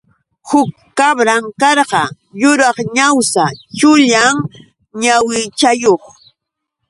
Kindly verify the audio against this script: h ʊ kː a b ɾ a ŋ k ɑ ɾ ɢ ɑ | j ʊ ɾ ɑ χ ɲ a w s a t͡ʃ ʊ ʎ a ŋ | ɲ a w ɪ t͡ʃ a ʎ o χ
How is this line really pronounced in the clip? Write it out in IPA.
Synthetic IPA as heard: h ʊ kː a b ɾ a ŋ k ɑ ɾ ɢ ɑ | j ʊ ɾ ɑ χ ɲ a w s a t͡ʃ ʊ ʎ a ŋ | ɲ a w ɪ t͡ʃ a j o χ